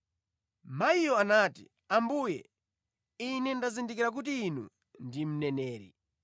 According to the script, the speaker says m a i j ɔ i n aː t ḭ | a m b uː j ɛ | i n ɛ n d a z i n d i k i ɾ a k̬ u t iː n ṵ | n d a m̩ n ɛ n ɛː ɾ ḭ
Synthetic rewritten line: m a i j ɔ a n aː t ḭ | a m b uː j ɛ | i n ɛ n d a z i n d i k i ɾ a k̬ u t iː n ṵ | n d i m̩ n ɛ n ɛː ɾ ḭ